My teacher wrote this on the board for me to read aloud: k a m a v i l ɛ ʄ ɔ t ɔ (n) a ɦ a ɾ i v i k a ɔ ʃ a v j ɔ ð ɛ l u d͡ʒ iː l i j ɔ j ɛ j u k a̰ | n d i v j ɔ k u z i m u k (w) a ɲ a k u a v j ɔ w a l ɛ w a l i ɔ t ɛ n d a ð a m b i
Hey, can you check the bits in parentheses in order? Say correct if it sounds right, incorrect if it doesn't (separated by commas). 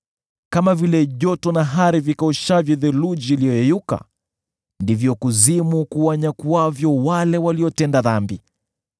correct, incorrect